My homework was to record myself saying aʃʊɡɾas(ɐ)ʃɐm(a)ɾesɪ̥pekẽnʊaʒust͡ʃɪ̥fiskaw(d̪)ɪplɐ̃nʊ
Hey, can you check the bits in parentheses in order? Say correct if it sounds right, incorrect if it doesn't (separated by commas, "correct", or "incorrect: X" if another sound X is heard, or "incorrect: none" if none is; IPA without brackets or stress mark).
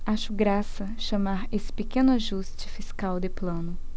correct, correct, correct